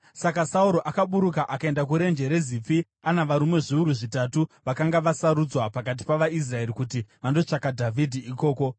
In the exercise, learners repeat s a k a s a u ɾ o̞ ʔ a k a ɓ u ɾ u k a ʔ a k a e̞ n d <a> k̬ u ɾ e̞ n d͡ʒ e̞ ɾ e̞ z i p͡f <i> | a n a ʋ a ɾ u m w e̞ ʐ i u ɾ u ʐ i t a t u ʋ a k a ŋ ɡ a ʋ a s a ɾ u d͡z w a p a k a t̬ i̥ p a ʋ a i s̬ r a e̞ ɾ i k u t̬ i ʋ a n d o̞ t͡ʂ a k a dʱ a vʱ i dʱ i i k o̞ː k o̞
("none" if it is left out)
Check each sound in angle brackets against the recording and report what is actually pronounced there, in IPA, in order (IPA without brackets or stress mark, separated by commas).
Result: a, i